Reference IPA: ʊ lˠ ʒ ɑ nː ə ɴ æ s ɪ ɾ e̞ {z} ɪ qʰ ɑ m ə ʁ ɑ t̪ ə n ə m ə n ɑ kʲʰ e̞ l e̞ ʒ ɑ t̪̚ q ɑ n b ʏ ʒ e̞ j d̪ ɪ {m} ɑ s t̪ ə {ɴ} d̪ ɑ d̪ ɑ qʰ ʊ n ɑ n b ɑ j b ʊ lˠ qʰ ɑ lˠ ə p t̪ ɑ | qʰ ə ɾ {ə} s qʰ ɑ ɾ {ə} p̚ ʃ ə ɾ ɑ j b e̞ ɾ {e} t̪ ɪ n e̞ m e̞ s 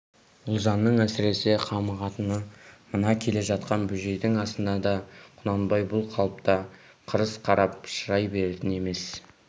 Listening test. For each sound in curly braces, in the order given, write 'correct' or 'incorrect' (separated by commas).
incorrect, incorrect, incorrect, correct, incorrect, correct